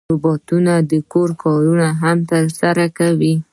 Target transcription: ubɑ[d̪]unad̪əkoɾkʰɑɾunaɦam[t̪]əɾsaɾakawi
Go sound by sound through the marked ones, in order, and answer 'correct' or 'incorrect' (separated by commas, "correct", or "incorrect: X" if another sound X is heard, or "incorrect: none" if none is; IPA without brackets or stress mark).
incorrect: t̪, correct